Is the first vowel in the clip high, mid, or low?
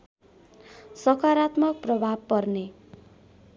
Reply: mid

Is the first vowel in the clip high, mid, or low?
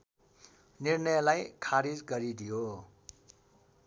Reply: high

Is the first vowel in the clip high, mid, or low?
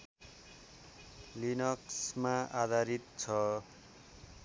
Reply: high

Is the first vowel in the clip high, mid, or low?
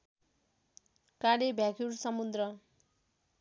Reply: low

